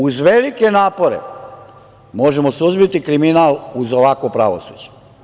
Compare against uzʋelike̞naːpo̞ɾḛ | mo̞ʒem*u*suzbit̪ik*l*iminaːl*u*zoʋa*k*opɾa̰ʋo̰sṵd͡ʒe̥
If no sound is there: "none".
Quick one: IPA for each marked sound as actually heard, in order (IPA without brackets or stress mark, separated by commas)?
o, ɾ, u, k